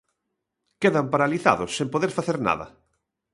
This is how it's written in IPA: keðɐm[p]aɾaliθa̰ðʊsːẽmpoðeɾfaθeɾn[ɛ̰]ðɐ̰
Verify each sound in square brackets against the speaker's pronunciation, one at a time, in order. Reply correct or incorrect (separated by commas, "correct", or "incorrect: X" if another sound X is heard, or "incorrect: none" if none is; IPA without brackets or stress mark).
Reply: correct, incorrect: a̰